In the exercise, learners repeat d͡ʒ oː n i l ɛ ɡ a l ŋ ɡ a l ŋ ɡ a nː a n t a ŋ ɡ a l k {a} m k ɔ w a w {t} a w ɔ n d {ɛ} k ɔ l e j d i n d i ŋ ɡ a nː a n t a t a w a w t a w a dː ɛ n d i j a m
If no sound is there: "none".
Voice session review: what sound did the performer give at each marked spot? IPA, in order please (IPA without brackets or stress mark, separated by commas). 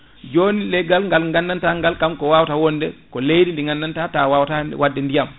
a, t, ɛ